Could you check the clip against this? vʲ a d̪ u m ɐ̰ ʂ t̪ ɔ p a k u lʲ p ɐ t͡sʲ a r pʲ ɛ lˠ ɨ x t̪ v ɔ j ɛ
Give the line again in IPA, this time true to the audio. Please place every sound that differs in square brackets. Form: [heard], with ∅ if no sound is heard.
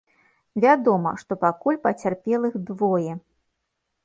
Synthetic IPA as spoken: vʲ a d̪ [ɔ] m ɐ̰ ʂ t̪ ɔ p a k u lʲ p ɐ t͡sʲ a r pʲ ɛ lˠ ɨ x [d̪] v ɔ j ɛ